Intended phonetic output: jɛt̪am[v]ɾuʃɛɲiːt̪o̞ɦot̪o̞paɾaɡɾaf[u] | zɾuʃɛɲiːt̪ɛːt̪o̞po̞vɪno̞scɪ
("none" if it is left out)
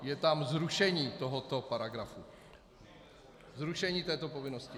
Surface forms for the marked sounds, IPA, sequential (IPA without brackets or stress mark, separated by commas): z, u